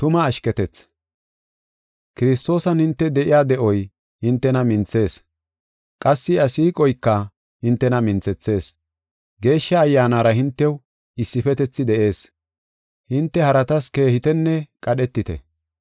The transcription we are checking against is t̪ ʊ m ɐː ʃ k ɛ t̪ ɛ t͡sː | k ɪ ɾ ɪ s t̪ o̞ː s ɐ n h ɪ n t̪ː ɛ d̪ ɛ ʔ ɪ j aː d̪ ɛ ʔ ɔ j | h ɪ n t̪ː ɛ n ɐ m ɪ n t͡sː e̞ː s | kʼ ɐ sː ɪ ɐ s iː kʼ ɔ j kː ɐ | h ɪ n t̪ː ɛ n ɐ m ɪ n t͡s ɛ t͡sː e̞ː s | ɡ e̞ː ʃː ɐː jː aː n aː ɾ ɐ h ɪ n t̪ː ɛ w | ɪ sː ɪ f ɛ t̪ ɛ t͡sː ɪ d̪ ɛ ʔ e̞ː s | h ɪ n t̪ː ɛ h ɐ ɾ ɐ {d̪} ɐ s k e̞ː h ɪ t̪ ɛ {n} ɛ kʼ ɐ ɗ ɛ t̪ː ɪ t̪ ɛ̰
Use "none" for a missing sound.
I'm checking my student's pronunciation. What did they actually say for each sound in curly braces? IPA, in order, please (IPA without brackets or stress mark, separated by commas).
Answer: t̪, nː